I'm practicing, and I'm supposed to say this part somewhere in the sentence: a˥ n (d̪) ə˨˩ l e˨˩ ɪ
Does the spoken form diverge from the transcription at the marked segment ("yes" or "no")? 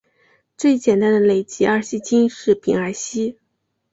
no